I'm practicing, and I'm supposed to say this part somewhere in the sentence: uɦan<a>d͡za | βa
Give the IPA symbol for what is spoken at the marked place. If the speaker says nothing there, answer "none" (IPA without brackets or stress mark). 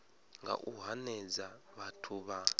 ɛ